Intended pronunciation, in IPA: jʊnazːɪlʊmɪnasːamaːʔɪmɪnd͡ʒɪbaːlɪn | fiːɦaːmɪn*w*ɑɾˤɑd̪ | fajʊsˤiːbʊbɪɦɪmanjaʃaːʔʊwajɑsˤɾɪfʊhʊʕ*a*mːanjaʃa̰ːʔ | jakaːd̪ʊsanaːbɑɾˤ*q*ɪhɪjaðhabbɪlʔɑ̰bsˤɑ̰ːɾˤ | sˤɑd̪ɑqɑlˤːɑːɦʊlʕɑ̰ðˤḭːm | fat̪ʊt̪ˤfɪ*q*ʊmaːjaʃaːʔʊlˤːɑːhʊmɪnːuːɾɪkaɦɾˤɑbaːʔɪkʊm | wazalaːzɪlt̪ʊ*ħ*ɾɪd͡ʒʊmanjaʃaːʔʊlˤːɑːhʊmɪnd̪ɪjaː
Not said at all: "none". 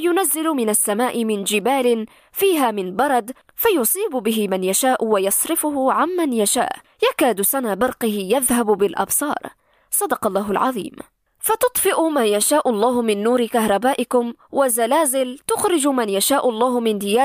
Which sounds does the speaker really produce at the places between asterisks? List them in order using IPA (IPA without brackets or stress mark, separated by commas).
b, a, q, ʔ, x